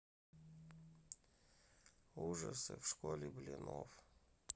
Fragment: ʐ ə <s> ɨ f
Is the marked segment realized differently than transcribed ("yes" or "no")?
no